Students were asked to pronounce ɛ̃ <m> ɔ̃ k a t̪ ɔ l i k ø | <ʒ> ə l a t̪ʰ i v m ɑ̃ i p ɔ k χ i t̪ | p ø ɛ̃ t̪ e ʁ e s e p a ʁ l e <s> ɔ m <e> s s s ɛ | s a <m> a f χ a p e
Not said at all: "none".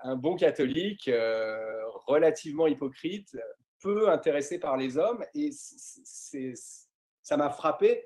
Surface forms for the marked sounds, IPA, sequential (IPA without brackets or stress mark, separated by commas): b, ʁ, z, e, m